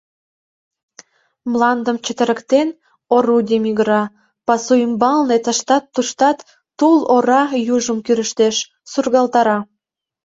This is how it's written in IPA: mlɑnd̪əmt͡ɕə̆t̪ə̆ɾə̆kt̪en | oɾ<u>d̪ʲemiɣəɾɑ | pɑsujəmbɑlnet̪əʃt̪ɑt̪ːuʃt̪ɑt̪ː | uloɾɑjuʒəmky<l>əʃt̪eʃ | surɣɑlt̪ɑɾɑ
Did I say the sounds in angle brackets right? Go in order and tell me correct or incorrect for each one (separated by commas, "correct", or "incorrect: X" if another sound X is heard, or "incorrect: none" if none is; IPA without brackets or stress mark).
correct, incorrect: ɾ